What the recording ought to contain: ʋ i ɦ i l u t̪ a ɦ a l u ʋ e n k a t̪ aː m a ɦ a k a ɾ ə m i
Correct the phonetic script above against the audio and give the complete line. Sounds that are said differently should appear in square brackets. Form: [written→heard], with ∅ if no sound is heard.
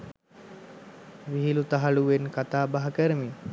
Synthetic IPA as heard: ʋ i ɦ i l u t̪ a ɦ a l u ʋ e n k a t̪ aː [m→b] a ɦ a k [a→ə] ɾ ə m i